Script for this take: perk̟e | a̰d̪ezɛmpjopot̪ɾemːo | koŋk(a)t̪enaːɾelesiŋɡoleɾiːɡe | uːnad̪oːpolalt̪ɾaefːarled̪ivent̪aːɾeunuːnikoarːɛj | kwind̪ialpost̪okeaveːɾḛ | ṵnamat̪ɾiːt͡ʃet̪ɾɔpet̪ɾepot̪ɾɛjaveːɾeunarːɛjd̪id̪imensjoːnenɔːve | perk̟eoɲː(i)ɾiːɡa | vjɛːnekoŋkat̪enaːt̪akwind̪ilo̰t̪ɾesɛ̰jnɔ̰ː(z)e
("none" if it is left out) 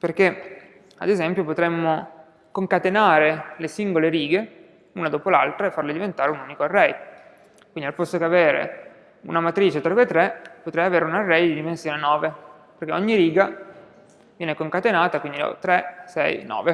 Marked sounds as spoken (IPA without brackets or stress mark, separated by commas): a, i, v